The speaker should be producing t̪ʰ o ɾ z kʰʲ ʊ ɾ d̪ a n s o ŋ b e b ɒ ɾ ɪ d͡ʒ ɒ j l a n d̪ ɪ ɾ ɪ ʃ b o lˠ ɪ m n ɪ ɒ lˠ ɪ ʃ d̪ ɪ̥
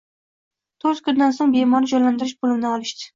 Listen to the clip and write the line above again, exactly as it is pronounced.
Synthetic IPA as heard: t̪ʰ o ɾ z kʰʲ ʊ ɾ d̪ a n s o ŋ b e m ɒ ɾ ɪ d͡ʒ ɒ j l a n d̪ ɪ ɾ ɪ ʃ b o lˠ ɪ m n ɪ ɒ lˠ ɪ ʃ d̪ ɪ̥